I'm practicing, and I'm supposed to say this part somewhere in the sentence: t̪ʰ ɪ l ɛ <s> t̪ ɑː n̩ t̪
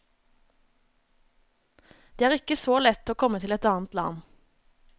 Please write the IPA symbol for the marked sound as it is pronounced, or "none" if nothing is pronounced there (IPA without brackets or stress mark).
none